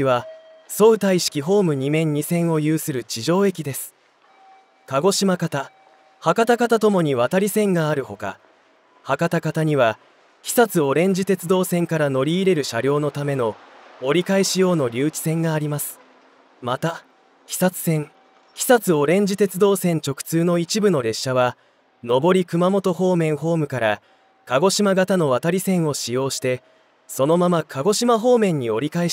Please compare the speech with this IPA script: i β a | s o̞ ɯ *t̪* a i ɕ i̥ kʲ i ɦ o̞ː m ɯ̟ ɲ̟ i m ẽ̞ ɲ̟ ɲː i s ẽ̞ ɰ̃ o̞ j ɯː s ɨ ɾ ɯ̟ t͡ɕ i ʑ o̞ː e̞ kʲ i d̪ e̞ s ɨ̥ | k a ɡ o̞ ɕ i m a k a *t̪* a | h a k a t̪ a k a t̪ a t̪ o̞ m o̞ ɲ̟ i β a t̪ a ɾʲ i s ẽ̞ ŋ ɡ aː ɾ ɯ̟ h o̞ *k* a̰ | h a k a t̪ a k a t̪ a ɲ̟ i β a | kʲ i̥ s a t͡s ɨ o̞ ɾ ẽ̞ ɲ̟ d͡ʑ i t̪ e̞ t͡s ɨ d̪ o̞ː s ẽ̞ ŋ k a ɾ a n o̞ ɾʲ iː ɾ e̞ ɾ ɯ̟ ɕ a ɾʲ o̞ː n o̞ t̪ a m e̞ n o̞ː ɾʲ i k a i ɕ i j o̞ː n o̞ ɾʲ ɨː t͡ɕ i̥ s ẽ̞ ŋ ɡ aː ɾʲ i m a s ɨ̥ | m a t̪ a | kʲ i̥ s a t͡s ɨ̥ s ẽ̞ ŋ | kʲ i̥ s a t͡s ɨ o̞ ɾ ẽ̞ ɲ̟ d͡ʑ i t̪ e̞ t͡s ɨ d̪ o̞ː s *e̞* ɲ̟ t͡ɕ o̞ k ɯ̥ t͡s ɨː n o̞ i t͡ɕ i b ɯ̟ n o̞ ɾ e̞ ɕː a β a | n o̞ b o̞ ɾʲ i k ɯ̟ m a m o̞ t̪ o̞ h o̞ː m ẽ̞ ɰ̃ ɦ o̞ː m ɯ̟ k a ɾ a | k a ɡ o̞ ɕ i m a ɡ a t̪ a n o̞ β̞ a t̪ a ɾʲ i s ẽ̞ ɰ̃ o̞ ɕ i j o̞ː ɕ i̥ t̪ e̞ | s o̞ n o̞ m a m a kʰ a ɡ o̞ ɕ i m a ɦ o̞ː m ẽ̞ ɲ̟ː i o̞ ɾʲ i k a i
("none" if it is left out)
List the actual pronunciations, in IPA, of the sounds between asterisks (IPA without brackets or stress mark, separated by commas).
t̪, t̪, k, ẽ̞